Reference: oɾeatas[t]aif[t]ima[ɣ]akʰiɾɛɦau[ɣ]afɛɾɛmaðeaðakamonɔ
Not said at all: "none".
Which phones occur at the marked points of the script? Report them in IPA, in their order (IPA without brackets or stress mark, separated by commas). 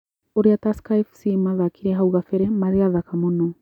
k, s, ð, ɣ